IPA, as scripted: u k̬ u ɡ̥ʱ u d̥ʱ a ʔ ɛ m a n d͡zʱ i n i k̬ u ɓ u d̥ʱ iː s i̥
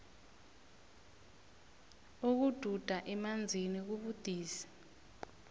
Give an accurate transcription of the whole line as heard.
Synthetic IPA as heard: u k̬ u d̥ʱ u d̥ʱ a ʔ ɛ m a n d͡zʱ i n i k̬ u ɓ u d̥ʱ iː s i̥

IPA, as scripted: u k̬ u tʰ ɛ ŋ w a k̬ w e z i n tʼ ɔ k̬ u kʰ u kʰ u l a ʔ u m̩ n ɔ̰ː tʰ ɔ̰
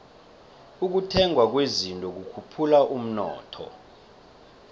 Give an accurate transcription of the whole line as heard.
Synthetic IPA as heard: u k̬ u tʰ ɛ ŋ w a k̬ w e z i n tʼ ɔ k̬ u kʰ u pʰ u l a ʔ u m̩ n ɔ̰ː tʰ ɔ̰

